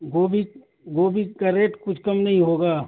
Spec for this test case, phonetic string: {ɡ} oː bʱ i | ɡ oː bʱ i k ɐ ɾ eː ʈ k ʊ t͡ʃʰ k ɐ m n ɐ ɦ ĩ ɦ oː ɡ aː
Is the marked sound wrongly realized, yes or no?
no